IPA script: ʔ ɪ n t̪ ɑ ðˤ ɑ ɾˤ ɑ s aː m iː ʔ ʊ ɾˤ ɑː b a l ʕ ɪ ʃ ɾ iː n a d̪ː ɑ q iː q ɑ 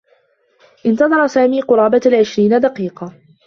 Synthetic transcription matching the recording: ʔ ɪ n t̪ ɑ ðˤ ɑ ɾˤ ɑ s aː m iː q ʊ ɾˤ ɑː b a l ʕ ɪ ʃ ɾ iː n a d̪ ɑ q iː q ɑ